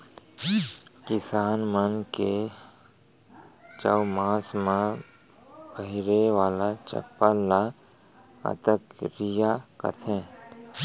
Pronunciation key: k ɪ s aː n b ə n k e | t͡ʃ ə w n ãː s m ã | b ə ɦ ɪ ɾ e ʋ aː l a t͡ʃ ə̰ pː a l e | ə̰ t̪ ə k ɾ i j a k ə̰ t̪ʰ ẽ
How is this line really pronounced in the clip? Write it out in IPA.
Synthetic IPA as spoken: k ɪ s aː n m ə n k e | t͡ʃ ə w m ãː s m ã | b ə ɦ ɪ ɾ e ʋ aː l a t͡ʃ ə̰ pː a l a | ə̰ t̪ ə k ɾ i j a k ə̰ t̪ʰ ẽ